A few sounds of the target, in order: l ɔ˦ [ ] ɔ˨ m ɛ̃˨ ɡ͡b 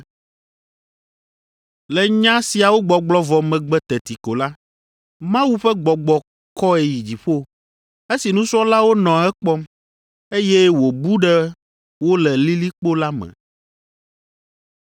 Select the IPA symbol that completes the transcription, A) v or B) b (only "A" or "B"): A